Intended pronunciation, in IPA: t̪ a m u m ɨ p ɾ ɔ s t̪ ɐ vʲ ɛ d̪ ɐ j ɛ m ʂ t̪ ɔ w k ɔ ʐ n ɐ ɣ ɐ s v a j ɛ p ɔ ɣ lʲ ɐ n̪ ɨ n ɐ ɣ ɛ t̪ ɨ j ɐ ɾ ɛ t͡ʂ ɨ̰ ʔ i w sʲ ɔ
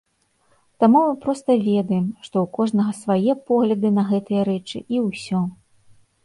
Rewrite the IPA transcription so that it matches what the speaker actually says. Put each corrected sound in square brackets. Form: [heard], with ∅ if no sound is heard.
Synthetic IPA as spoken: t̪ a m u m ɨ p ɾ ɔ s t̪ ɐ vʲ ɛ d̪ ɐ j ɛ m ʂ t̪ ɔ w k ɔ ʐ n ɐ ɣ ɐ s v a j ɛ p ɔ ɣ lʲ ɐ [d̪] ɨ n ɐ ɣ ɛ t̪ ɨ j ɐ ɾ ɛ t͡ʂ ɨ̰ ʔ i w sʲ ɔ